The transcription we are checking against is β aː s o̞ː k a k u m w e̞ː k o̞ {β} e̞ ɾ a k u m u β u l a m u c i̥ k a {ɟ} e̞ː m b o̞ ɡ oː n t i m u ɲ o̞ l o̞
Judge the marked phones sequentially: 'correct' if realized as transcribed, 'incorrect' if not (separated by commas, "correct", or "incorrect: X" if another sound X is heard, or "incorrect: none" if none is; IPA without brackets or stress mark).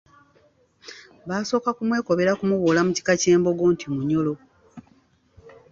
correct, incorrect: c